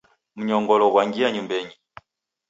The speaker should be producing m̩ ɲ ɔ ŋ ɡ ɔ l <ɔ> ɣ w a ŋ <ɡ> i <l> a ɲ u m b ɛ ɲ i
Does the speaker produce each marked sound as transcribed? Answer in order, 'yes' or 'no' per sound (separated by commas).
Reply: yes, yes, no